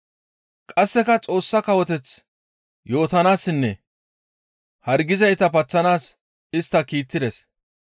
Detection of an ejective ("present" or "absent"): present